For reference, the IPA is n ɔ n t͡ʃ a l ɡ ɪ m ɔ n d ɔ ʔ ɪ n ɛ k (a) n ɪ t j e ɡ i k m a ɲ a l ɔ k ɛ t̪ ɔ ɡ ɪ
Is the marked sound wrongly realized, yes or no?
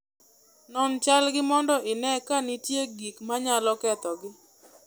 no